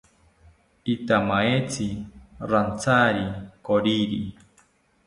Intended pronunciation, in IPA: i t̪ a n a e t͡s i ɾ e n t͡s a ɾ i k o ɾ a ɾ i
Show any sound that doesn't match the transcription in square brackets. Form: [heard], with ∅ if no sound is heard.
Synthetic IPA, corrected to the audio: i t̪ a [m] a e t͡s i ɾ [a] n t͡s a ɾ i k o ɾ [i] ɾ i